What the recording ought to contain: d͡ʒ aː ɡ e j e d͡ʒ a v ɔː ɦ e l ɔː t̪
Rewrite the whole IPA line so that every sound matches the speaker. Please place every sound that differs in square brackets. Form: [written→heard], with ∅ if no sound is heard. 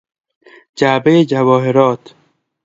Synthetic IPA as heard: d͡ʒ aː [ɡ→b] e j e d͡ʒ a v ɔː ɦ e [l→ɾ] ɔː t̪

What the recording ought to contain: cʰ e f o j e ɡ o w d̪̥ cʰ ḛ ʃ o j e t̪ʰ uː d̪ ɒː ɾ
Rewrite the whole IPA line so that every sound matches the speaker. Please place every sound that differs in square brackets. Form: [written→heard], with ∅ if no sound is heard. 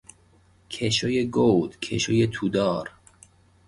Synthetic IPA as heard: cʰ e [f→ʃ] o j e ɡ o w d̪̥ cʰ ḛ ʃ o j e t̪ʰ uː d̪ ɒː ɾ

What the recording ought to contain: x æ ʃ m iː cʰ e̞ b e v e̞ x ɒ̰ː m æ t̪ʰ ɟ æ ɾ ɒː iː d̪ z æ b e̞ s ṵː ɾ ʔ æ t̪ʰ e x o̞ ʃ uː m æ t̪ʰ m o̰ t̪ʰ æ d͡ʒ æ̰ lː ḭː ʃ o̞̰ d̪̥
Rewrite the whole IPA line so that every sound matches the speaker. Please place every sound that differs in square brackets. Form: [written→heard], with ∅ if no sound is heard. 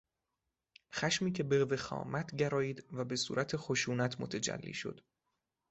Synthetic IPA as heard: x æ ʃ m iː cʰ e̞ b e v e̞ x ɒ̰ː m æ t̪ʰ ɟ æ ɾ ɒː iː d̪ [z→v] æ b e̞ s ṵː ɾ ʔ æ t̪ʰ e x o̞ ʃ uː [m→n] æ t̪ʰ m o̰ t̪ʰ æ d͡ʒ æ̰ lː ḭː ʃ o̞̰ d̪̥

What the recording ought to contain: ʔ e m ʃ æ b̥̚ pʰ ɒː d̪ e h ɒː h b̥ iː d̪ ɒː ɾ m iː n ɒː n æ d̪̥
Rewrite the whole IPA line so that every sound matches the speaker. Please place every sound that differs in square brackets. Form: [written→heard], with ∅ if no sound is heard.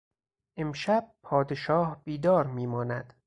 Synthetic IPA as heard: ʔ e m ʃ æ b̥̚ pʰ ɒː d̪ e [h→ʃ] ɒː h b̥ iː d̪ ɒː ɾ m iː [n→m] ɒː n æ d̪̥

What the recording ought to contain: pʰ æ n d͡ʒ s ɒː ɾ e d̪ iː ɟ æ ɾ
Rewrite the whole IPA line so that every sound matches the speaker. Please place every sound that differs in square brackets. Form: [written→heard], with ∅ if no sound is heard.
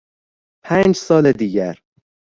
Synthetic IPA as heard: pʰ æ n d͡ʒ s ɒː [ɾ→l] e d̪ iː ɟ æ ɾ

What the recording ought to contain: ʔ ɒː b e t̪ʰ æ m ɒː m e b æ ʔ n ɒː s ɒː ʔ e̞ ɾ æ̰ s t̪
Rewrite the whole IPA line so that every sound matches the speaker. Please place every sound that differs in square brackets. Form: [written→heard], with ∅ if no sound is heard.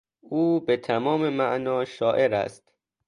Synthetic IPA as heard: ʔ [ɒː→uː] b e t̪ʰ æ m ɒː m e [b→m] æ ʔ n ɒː [s→ʃ] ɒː ʔ e̞ ɾ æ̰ s t̪

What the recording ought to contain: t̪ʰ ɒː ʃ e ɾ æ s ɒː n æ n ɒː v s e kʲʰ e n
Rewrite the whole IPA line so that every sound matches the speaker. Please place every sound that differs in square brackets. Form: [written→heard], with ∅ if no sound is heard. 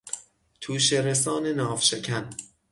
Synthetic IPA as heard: t̪ʰ [ɒː→uː] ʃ e ɾ [æ→e] s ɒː n [æ→e] n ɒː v [s→ʃ] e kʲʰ [e→æ] n

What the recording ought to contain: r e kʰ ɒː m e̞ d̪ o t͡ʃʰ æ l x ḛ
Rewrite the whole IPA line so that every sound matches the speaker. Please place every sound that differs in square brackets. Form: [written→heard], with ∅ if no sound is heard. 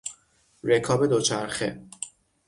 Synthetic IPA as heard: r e kʰ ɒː [m→b] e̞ d̪ o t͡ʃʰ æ [l→ɾ] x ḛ

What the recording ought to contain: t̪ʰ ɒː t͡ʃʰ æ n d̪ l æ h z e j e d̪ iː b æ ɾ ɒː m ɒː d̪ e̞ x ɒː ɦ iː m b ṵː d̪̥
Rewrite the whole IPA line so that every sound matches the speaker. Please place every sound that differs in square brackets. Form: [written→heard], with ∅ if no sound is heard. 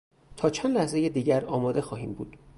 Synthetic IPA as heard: t̪ʰ ɒː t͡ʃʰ æ n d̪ l æ h z e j e d̪ iː [b→ɟ] æ ɾ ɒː m ɒː d̪ e̞ x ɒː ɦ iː m b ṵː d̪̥

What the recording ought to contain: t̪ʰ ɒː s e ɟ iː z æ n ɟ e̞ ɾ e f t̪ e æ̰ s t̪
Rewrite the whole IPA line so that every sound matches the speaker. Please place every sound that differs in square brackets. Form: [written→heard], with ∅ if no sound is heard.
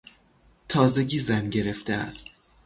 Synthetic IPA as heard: t̪ʰ ɒː [s→z] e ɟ iː z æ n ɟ e̞ ɾ e f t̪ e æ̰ s t̪

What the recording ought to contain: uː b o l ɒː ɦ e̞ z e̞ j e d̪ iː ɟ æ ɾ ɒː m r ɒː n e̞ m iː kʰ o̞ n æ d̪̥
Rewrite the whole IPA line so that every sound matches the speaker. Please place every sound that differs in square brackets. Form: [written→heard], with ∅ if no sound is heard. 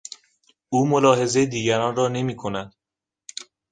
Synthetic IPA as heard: uː [b→m] o l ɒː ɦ e̞ z e̞ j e d̪ iː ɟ æ ɾ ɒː [m→n] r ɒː n e̞ m iː kʰ o̞ n æ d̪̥

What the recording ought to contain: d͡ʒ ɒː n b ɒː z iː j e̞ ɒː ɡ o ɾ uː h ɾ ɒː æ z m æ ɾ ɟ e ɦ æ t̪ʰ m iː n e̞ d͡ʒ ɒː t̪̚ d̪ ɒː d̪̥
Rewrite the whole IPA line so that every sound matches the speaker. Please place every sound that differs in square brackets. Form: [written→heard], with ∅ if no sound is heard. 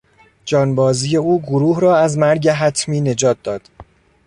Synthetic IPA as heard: d͡ʒ ɒː n b ɒː z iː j e̞ [ɒː→uː] ɡ o ɾ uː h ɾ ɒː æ z m æ ɾ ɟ e ɦ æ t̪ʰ m iː n e̞ d͡ʒ ɒː t̪̚ d̪ ɒː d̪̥

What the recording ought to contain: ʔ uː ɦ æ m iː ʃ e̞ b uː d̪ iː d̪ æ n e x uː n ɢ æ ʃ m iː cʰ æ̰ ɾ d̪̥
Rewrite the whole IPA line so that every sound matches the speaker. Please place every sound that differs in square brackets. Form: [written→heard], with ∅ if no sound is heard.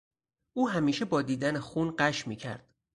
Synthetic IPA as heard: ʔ uː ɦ æ m iː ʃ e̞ b [uː→ɒː] d̪ iː d̪ æ n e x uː n ɢ æ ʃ m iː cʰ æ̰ ɾ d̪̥

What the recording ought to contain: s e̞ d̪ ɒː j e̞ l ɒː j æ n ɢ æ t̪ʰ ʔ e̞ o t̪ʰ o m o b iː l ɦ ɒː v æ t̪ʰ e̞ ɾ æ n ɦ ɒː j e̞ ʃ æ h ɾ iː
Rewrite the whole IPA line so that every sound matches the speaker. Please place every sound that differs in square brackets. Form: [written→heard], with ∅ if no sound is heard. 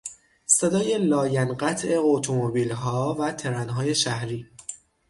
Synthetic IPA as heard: s e̞ d̪ ɒː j e̞ l ɒː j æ n ɢ æ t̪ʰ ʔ e̞ o t̪ʰ o m o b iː l ɦ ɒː v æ t̪ʰ e̞ ɾ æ n ɦ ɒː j e̞ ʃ æ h ɾ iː

